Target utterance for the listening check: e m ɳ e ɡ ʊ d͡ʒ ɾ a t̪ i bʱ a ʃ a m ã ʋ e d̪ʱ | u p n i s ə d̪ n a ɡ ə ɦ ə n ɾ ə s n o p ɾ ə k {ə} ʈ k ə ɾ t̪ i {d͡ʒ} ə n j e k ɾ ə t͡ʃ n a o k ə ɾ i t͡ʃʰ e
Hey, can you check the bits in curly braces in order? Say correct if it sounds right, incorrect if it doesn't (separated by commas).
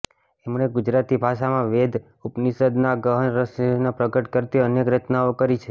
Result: correct, incorrect